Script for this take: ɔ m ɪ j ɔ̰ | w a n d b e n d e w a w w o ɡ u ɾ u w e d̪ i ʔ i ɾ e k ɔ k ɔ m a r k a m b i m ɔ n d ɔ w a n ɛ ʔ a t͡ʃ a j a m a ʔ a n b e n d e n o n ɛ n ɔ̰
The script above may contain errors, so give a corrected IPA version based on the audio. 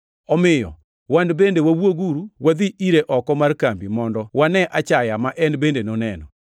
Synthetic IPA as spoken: ɔ m ɪ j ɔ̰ | w a n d b e n d e w a w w o ɡ u ɾ u w a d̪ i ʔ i ɾ e ʔ ɔ k ɔ m a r k a m b i m ɔ n d ɔ w a n ɛ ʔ a t͡ʃ a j a m a ʔ ɛ n b e n d e n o n ɛ n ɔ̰